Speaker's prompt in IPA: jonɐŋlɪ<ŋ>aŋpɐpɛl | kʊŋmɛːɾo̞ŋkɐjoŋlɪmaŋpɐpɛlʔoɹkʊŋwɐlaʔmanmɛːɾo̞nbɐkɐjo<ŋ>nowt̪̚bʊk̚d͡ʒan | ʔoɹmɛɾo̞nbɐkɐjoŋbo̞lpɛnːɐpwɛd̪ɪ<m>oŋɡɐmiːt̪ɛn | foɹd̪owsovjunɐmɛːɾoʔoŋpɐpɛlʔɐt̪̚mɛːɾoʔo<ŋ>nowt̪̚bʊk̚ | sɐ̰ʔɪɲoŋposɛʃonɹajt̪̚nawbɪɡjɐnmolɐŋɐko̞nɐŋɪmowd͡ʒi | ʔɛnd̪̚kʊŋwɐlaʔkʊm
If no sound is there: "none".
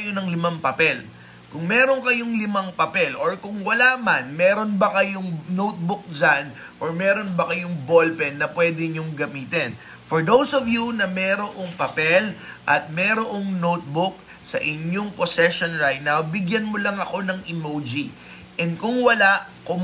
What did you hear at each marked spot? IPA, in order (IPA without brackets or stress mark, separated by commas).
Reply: m, ŋ, ɲ, ŋ